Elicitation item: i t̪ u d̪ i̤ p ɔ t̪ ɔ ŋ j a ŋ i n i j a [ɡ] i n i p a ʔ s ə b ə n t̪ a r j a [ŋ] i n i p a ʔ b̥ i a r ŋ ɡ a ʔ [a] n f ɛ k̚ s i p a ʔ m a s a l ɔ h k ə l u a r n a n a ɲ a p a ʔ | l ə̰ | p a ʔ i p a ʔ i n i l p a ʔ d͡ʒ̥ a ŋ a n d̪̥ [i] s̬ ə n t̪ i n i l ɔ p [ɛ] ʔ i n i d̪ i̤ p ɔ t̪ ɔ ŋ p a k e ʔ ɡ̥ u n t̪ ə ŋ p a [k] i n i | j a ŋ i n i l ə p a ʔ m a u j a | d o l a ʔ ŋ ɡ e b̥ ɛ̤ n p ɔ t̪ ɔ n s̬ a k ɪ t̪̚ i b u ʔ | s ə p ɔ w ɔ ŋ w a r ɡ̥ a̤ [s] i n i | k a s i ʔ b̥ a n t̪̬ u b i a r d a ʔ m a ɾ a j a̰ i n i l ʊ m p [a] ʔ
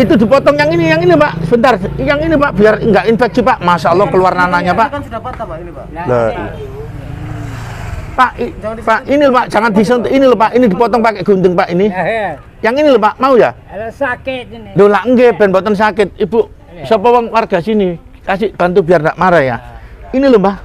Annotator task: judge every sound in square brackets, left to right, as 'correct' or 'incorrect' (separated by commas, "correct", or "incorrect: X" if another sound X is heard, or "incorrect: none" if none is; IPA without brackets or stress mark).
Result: incorrect: ŋ, correct, incorrect: i, correct, incorrect: a, incorrect: ʔ, correct, correct